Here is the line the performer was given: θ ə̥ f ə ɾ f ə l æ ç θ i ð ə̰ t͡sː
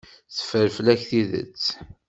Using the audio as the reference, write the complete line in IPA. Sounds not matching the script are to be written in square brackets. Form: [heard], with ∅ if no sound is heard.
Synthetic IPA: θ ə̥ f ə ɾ f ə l æ ç θ i ð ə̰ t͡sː